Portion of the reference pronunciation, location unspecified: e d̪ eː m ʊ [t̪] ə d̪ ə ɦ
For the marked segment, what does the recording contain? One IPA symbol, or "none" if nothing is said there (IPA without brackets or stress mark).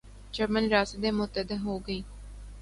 t̪